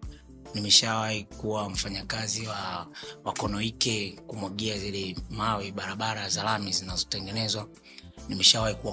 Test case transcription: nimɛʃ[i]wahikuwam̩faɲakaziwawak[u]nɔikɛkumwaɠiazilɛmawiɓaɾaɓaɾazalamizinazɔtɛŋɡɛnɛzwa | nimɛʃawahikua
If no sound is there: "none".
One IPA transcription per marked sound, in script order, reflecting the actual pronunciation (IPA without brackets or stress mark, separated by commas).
a, ɔ